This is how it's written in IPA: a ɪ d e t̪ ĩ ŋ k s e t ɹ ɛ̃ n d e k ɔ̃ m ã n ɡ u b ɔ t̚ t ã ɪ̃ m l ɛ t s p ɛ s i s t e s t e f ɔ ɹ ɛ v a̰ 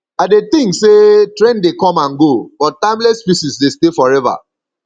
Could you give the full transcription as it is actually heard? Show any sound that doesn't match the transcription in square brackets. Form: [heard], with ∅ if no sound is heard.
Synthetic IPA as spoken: a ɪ d e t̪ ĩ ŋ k s e t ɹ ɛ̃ n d e k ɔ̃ m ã n ɡ [o] b ɔ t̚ t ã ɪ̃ m l ɛ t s p [i] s i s [d] e s t e f ɔ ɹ ɛ v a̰